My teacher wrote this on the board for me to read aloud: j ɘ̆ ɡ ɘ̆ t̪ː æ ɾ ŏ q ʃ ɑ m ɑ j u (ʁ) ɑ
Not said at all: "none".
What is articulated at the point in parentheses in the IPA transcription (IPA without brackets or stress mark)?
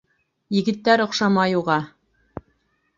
ʁ